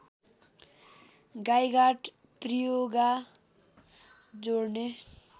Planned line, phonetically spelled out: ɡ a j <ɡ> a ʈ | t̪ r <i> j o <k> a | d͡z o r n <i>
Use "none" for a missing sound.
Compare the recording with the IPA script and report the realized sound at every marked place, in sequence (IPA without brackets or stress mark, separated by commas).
ɡ, i, ɡ, e